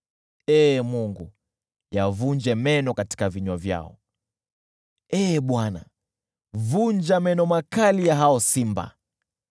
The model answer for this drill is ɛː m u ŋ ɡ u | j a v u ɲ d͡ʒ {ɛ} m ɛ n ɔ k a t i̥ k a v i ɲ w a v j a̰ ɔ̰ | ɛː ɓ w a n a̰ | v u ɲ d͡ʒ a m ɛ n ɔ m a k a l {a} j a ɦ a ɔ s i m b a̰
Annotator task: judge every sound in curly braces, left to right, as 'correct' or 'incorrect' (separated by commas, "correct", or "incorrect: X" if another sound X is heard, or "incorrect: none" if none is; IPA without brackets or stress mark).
correct, incorrect: i